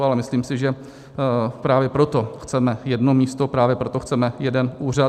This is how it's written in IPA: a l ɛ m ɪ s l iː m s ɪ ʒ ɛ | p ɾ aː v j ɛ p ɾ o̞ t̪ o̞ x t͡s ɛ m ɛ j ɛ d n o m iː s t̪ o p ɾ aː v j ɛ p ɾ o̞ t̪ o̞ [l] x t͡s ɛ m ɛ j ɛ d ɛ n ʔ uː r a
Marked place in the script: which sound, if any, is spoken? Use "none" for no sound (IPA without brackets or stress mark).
none